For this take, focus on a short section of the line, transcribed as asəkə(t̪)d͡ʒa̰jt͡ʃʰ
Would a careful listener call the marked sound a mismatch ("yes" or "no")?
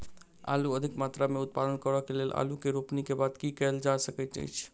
no